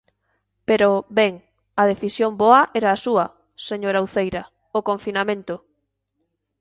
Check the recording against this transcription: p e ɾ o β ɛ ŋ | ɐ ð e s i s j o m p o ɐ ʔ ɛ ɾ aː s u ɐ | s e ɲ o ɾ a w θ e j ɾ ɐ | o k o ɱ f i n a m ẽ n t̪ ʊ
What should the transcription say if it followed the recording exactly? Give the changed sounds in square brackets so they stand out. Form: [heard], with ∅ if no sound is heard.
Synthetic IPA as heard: p e ɾ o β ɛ ŋ | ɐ ð e [θ] i s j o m [b] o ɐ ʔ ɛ ɾ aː s u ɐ | s e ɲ o ɾ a w θ e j ɾ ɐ | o k o ɱ f i n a m ẽ n t̪ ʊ